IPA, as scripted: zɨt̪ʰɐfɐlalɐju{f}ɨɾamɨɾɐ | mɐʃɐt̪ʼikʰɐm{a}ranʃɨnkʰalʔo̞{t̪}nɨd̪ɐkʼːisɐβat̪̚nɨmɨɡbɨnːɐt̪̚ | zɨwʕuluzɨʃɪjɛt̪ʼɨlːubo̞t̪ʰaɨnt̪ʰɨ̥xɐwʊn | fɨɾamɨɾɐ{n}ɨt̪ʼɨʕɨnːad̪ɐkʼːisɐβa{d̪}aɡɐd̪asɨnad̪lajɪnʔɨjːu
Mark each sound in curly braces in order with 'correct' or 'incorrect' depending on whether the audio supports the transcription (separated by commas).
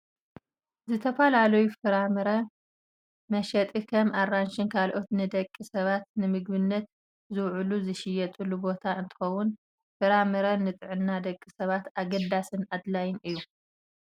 correct, correct, correct, correct, incorrect